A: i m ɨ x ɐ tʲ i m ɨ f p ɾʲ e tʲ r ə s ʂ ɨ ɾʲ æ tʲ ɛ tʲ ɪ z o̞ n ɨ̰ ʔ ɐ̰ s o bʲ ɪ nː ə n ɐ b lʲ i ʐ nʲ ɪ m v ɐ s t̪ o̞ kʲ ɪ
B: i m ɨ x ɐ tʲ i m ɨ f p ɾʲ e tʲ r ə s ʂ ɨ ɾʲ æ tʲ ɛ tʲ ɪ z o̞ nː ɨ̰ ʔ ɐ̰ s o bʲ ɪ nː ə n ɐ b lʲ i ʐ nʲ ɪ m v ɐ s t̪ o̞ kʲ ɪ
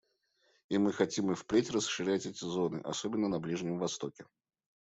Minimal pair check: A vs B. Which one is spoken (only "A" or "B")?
A